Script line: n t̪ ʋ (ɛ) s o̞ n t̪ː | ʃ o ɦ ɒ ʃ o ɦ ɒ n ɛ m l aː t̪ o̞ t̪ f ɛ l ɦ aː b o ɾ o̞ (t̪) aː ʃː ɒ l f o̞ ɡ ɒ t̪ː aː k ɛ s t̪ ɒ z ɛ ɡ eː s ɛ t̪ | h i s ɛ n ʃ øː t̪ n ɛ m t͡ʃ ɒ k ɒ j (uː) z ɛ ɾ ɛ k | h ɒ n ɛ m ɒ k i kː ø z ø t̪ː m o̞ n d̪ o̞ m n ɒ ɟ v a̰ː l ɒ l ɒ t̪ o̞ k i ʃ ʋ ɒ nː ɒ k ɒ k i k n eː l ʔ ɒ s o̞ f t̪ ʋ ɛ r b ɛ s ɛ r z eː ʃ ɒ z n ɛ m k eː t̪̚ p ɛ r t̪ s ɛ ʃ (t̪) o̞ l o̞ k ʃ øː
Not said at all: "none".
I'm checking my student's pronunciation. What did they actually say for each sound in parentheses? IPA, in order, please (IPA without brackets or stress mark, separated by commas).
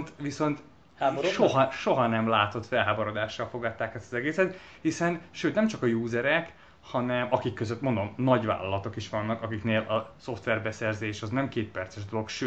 i, d̪, uː, d̪